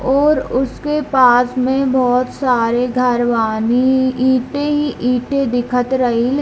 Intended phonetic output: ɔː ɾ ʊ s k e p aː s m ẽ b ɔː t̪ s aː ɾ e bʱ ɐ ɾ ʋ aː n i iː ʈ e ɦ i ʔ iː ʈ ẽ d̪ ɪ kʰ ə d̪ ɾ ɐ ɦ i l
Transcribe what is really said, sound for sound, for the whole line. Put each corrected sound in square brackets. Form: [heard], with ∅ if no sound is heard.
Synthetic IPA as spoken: ɔː ɾ ʊ s k e p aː s m ẽ b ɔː t̪ s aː ɾ e [ɡʱ] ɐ ɾ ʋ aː n i iː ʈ e ɦ i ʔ iː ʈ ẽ d̪ ɪ kʰ ə [t̪] ɾ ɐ ɦ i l